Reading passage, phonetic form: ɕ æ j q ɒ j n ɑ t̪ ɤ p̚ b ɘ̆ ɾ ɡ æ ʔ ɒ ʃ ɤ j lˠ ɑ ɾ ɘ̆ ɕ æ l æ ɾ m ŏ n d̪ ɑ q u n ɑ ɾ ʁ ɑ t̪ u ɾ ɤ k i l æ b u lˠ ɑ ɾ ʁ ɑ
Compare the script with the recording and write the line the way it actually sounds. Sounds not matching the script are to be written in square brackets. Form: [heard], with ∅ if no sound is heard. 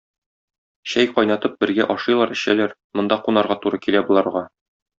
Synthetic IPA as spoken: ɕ æ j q ɒ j n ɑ t̪ ɤ p̚ b ɘ̆ ɾ ɡ æ ʔ ɒ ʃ ɤ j lˠ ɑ ɾ ɘ̆ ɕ æ l æ ɾ m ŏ n d̪ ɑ q u n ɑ ɾ ʁ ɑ t̪ u ɾ ɤ k i l æ b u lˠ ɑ ɾ ʁ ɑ